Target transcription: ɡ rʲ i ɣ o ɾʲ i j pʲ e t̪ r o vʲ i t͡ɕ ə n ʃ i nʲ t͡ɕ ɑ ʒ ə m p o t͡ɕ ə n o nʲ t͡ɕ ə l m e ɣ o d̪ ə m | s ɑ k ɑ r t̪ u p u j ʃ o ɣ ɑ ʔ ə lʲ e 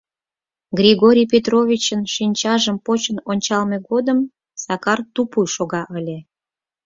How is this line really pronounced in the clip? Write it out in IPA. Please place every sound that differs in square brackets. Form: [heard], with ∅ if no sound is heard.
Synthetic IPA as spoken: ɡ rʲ i ɣ o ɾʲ i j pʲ e t̪ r o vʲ i t͡ɕ ə n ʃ i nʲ t͡ɕ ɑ ʒ ə m p o t͡ɕ ə n o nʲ t͡ɕ [ɑ] l m e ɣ o d̪ ə m | s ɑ k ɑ r t̪ u p u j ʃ o ɣ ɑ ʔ ə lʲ e